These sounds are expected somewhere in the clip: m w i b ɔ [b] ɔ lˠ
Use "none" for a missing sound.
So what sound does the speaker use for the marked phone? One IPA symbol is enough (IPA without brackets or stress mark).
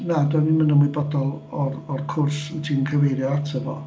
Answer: d